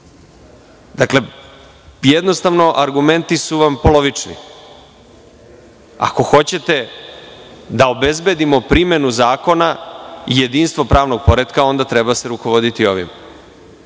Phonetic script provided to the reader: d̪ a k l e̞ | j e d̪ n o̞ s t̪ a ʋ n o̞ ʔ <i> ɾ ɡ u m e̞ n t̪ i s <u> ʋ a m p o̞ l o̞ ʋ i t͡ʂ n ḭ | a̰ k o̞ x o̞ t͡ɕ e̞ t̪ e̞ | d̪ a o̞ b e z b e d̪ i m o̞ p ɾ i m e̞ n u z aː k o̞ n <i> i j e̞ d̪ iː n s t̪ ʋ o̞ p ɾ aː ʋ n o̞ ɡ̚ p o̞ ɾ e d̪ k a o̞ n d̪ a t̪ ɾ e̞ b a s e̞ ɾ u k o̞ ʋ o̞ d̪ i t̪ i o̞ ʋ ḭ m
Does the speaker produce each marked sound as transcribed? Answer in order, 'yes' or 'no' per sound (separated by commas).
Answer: no, yes, no